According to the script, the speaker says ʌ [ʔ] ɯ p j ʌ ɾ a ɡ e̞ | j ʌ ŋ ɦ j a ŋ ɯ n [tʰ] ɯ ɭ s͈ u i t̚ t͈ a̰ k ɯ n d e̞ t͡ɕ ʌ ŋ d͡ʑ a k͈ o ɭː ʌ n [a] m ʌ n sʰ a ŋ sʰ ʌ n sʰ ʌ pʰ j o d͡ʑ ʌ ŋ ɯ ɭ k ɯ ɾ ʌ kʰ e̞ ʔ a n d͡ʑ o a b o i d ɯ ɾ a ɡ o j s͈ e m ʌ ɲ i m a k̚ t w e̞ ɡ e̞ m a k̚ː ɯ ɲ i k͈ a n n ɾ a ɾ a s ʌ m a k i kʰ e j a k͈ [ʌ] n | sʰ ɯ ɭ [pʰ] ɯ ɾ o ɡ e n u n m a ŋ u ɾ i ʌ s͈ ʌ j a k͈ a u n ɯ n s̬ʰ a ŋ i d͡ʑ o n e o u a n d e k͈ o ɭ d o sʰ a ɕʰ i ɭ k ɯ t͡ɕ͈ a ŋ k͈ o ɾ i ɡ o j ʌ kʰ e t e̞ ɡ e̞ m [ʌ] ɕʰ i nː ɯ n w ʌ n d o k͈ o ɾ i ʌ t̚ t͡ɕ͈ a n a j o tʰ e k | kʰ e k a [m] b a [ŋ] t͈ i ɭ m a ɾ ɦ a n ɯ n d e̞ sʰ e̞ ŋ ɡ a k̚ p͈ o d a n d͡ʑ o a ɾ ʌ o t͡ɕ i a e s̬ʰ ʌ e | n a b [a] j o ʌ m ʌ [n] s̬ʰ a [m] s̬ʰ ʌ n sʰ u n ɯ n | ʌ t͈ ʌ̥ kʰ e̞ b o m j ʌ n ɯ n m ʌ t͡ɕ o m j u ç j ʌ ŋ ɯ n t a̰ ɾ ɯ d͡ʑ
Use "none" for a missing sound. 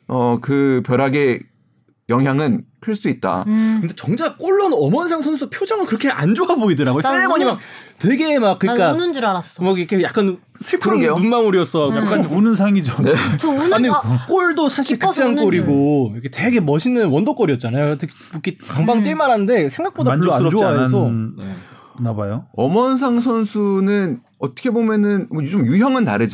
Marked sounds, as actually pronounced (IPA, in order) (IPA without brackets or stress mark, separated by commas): k, kʰ, ʌ, a, pʰ, ʌ, ŋ, ŋ, a, n, ŋ